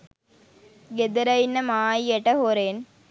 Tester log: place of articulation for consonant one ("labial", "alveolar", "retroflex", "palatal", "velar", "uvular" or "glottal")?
velar